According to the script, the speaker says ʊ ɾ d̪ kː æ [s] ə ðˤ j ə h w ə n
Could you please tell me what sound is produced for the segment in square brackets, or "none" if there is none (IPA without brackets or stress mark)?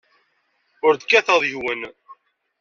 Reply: θ